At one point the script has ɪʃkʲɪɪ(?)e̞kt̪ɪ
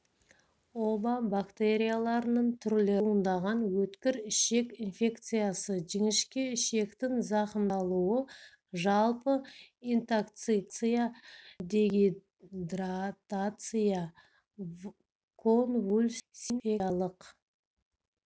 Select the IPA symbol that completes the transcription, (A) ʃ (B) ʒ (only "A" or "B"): A